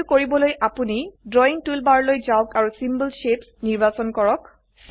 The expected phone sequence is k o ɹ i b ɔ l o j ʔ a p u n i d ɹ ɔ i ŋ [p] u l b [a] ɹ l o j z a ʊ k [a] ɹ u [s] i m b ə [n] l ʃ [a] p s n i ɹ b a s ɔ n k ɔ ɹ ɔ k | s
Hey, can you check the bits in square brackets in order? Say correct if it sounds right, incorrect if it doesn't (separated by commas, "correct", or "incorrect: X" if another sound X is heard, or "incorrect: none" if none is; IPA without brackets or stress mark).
incorrect: t, correct, correct, correct, incorrect: none, incorrect: e